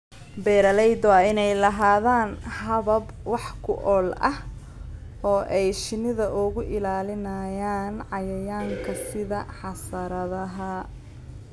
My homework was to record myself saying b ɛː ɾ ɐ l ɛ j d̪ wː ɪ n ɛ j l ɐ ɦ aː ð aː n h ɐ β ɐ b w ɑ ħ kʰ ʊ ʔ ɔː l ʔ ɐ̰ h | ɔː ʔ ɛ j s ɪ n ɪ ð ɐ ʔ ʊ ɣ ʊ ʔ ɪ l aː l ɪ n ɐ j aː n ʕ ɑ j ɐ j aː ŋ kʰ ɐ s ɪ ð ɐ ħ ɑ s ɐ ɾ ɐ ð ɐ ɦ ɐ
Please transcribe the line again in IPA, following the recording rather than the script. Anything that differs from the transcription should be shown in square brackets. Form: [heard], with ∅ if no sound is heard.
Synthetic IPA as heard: b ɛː ɾ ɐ l ɛ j d̪ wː ɪ n ɛ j l ɐ ɦ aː ð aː n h ɐ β ɐ b w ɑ ħ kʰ ʊ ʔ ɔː l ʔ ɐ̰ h | ɔː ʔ ɛ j [ʃ] ɪ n ɪ ð ɐ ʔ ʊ ɣ ʊ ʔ ɪ l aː l ɪ n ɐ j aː n ʕ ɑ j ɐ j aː ŋ kʰ ɐ s ɪ ð ɐ ħ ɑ s ɐ ɾ ɐ ð ɐ ɦ ɐ